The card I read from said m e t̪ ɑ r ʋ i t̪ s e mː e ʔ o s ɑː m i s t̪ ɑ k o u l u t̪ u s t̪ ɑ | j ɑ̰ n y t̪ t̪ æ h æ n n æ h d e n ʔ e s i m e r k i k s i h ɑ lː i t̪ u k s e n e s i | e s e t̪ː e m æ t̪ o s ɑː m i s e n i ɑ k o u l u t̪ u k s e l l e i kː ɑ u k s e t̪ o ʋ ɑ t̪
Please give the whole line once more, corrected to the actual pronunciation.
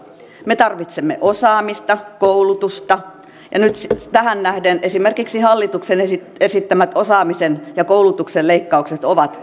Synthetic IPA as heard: m e t̪ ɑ r ʋ i t̪ s e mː e ʔ o s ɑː m i s t̪ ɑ k o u l u t̪ u s t̪ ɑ | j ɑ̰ n y t̪ t̪ æ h æ n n æ h d e n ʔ e s i m e r k i k s i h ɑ lː i t̪ u k s e n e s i | e s i t̪ː æ m æ t̪ o s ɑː m i s e n j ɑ k o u l u t̪ u k s e l l e i kː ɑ u k s e t̪ o ʋ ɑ t̪